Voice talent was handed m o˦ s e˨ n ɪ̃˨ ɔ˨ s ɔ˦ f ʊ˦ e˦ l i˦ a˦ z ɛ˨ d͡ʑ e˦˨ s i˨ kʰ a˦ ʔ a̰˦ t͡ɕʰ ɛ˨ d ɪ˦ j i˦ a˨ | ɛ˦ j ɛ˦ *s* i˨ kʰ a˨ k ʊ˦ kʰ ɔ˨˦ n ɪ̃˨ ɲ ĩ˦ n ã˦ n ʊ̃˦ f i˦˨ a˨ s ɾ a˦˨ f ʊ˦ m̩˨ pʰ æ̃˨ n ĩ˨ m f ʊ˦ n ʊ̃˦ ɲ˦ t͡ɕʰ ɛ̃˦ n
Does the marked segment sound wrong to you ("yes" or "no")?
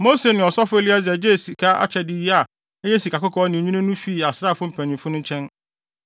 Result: no